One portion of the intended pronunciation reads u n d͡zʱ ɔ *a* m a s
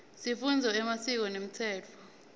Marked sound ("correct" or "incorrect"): incorrect